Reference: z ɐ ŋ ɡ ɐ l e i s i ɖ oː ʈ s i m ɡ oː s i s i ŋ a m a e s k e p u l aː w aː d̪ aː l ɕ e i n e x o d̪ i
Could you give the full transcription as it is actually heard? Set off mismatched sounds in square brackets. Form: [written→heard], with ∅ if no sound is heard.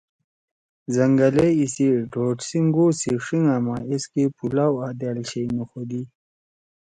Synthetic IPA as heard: z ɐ ŋ ɡ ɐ l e i s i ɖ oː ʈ s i [m→ŋ] ɡ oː s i [s→ʂ] i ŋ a m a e s k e p u l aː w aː d̪ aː l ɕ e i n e x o d̪ i